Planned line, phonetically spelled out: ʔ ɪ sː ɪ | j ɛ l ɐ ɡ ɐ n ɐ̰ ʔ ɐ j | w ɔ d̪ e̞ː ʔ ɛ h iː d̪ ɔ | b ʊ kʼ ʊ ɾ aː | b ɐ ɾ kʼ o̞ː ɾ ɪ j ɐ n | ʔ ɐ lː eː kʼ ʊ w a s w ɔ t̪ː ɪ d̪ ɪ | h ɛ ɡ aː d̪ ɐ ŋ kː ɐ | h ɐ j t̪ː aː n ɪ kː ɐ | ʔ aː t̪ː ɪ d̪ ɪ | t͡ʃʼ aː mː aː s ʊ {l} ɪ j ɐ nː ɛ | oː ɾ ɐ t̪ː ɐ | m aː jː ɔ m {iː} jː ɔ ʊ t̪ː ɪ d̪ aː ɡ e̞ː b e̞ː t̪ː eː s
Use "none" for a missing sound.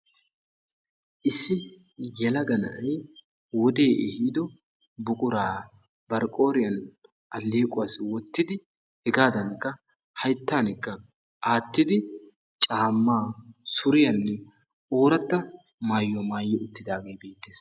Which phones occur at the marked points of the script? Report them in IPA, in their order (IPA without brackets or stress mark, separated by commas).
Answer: ɾ, aː